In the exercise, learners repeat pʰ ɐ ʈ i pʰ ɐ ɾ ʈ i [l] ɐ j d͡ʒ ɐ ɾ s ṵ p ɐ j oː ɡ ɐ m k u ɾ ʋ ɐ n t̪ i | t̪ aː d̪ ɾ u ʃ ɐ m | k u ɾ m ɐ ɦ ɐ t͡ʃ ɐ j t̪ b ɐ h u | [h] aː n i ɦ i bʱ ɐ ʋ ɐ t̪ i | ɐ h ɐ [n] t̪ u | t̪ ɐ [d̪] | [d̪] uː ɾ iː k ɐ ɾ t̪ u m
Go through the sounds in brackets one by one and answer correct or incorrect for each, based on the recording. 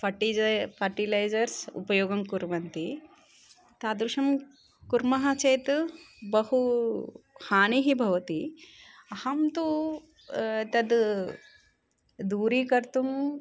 correct, correct, incorrect: m, correct, correct

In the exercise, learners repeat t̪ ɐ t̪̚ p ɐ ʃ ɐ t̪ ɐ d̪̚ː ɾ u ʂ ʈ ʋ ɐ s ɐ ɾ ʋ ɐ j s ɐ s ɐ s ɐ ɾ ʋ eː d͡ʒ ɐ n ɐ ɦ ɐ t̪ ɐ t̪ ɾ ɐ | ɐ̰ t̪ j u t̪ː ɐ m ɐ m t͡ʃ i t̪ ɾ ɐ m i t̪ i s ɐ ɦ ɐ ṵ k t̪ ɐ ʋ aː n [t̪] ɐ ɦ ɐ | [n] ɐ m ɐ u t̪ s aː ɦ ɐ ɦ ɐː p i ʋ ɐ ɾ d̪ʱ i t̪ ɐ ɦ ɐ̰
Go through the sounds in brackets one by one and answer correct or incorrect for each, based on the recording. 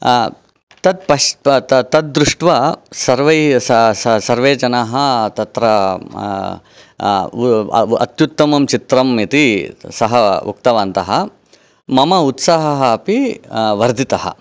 correct, incorrect: m

